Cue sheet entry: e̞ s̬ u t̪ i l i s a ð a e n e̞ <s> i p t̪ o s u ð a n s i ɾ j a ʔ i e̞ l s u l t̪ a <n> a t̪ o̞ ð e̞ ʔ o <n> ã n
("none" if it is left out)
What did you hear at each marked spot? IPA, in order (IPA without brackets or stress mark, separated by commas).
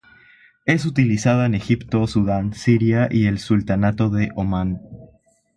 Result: x, n, m